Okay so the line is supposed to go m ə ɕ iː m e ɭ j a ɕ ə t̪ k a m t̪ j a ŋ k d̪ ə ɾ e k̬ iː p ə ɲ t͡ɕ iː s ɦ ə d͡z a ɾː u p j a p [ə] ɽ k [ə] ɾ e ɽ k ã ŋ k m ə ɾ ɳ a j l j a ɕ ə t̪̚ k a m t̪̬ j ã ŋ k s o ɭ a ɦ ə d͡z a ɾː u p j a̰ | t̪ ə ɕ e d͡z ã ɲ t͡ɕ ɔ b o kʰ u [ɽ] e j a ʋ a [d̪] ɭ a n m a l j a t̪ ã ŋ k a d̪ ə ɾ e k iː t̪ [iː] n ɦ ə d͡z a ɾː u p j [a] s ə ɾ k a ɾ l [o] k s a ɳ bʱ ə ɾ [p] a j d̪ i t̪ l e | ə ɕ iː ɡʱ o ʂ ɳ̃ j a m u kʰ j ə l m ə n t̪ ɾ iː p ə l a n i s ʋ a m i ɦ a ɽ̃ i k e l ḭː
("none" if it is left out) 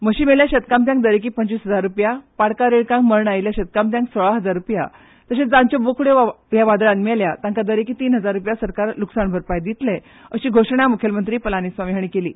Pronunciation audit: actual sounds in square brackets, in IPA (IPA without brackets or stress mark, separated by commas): a, a, ɽ, d̪, iː, a, u, p